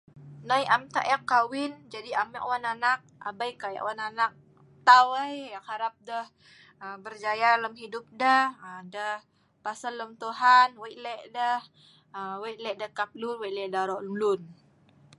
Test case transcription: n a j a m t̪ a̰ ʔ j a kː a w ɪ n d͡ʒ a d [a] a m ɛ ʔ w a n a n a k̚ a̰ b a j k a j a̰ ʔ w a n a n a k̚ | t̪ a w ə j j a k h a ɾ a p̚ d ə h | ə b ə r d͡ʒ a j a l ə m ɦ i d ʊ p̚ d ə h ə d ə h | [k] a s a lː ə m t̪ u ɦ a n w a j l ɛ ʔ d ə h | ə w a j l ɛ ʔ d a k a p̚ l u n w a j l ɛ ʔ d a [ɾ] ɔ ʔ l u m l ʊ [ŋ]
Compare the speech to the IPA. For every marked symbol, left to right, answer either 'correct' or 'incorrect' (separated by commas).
incorrect, incorrect, correct, incorrect